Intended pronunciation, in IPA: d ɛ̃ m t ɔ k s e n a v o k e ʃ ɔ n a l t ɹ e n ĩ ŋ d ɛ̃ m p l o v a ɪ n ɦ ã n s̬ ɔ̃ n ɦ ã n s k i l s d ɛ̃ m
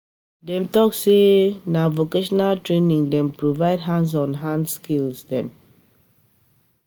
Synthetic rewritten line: d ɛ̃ m t ɔ k s e n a v o k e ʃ ɔ n a l t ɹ e n ĩ ŋ d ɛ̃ m p ɹ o v a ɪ d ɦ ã n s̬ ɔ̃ n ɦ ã n s k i l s d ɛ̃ m